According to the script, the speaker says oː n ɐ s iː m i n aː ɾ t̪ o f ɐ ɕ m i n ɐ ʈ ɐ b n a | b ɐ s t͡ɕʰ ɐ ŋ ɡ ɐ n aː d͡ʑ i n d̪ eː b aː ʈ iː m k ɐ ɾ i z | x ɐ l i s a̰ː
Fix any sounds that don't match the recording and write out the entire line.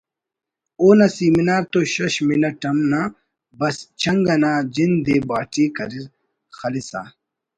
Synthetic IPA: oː n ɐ s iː m i n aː ɾ t̪ o ɕ ɐ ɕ m i n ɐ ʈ ɐ m n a | b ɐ s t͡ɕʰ ɐ ŋ ɡ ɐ n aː d͡ʑ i n d̪ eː b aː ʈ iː k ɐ ɾ i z | x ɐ l i s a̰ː